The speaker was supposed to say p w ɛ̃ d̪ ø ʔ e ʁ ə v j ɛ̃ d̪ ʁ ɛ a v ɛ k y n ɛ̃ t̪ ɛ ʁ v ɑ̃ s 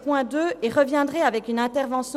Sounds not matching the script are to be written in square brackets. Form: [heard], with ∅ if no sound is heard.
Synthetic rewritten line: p w ɛ̃ d̪ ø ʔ e ʁ ə v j ɛ̃ d̪ ʁ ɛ a v ɛ k y n ɛ̃ t̪ ɛ ʁ v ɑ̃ s